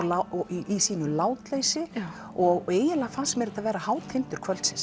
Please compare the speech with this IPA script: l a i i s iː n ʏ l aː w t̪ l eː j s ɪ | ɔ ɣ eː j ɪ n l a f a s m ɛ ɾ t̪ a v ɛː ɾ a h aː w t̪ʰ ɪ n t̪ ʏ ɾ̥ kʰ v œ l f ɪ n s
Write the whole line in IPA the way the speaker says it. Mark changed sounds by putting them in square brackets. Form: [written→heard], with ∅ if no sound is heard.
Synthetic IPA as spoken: l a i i s iː n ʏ l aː w t̪ l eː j s ɪ | ɔ ɣ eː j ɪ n l a f a s m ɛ ɾ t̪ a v ɛː ɾ a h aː w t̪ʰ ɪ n t̪ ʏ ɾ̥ kʰ v œ l [f→s] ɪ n s